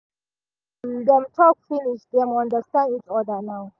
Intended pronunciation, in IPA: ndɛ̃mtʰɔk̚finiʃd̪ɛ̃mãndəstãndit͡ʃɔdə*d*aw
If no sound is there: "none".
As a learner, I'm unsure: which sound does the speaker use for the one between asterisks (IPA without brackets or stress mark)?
n